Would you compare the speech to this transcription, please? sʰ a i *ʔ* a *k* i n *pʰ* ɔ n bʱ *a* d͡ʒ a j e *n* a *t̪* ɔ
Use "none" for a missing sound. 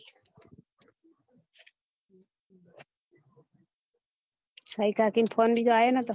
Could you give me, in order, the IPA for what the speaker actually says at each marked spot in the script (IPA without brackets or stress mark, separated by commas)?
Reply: k, k, pʰ, i, n, t̪